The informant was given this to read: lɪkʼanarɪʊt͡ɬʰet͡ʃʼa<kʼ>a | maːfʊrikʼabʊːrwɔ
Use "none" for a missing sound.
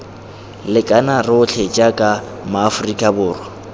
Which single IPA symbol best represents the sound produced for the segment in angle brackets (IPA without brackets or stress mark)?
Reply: kʼ